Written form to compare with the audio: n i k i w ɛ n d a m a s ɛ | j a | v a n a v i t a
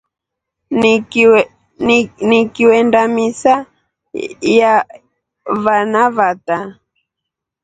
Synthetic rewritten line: n i k i w ɛ n d a m i s a | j a | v a n a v a t a